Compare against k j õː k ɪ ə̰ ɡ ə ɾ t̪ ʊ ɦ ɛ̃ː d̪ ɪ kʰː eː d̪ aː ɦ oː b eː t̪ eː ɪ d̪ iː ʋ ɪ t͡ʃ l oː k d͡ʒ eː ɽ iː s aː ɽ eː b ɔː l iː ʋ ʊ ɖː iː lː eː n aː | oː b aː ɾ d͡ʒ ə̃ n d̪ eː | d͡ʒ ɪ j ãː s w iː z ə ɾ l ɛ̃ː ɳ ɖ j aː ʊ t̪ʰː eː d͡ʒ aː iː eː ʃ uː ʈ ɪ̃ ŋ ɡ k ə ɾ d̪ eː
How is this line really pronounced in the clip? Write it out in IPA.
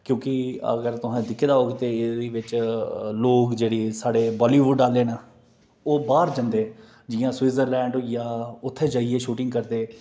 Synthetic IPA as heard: k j õː k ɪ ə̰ ɡ ə ɾ t̪ ʊ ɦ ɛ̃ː d̪ ɪ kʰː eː d̪ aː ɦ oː ɡ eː t̪ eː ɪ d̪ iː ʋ ɪ t͡ʃ l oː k d͡ʒ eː ɽ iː s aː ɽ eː b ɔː l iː ʋ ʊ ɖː aː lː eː n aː | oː b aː ɾ d͡ʒ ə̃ n d̪ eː | d͡ʒ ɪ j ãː s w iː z ə ɾ l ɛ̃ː ɳ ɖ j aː ʊ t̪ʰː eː d͡ʒ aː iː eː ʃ uː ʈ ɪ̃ ŋ ɡ k ə ɾ d̪ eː